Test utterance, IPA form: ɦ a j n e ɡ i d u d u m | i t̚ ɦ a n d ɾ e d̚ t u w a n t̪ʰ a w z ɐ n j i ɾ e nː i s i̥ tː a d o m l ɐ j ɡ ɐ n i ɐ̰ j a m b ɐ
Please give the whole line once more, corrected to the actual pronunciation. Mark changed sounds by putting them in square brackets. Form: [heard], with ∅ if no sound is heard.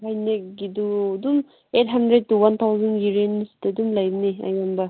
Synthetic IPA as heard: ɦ a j n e ɡ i d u d u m | [e] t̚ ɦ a n d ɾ e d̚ t u w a n t̪ʰ a w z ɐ n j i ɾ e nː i s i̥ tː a d [u] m l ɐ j [b] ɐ n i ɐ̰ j a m b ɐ